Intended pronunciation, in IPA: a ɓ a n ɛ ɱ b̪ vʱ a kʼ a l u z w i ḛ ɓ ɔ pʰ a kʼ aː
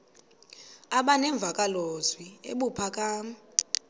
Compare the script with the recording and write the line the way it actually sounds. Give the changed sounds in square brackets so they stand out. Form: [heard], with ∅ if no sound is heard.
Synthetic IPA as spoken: a ɓ a n ɛ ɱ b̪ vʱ a kʼ a l [o] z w i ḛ ɓ [u] pʰ a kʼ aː